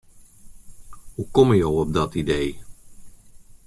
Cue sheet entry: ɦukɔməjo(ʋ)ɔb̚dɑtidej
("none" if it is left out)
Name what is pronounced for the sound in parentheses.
w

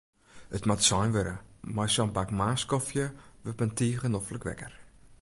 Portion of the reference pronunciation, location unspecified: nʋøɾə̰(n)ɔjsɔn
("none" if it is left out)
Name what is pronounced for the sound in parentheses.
m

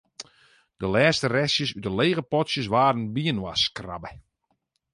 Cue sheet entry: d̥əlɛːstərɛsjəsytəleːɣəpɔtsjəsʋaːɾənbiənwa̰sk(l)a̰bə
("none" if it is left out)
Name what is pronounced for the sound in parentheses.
r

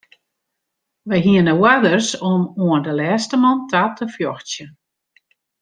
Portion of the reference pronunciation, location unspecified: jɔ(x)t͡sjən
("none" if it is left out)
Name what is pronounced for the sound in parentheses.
x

